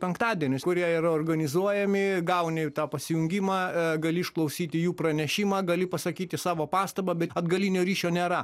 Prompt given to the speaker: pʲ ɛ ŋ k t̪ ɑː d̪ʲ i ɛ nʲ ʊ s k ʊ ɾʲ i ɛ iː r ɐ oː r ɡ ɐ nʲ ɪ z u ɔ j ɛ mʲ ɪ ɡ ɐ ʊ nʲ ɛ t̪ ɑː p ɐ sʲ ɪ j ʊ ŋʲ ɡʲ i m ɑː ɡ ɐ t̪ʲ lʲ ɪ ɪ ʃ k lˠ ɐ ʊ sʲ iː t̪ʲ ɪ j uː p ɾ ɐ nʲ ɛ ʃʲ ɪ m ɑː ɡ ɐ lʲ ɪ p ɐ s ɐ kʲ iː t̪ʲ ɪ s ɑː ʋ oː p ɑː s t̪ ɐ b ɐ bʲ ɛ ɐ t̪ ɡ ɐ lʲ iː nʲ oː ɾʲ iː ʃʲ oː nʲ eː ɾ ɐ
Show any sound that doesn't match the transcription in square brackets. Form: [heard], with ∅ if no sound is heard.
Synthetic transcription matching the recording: pʲ ɛ ŋ k t̪ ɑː d̪ʲ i ɛ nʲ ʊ s k ʊ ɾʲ i ɛ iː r ɐ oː r ɡ ɐ nʲ ɪ z u ɔ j ɛ mʲ ɪ ɡ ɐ ʊ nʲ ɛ t̪ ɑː p ɐ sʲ ɪ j ʊ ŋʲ ɡʲ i m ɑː ɡ ɐ [∅] lʲ ɪ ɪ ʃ k lˠ ɐ ʊ sʲ iː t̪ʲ ɪ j uː p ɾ ɐ nʲ ɛ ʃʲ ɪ m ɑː ɡ ɐ lʲ ɪ p ɐ s ɐ kʲ iː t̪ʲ ɪ s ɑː ʋ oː p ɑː s t̪ ɐ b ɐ bʲ ɛ ɐ [d̪] ɡ ɐ lʲ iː nʲ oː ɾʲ iː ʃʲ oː nʲ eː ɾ ɐ